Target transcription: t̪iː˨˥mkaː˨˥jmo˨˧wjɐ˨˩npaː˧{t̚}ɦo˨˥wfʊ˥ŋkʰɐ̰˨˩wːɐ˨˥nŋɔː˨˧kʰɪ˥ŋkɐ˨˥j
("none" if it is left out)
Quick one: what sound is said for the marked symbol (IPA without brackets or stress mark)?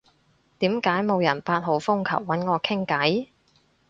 t̚